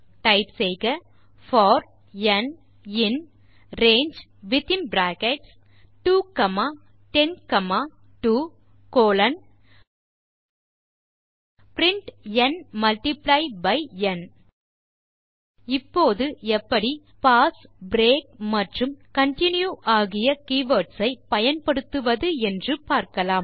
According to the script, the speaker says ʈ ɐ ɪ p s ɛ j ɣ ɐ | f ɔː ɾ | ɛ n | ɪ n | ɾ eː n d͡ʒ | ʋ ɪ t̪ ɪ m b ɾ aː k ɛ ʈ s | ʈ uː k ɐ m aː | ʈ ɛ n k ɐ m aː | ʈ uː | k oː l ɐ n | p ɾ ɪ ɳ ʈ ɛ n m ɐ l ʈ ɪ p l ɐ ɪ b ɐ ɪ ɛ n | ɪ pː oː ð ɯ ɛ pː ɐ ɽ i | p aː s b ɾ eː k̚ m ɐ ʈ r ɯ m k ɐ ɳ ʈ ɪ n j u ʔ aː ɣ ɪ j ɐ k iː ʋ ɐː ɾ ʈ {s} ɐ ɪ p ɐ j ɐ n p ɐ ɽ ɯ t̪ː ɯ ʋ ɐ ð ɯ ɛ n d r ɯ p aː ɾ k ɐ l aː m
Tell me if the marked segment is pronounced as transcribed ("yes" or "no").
yes